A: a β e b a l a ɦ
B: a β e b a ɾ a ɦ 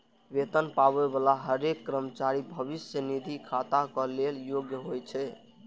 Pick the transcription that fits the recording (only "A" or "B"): A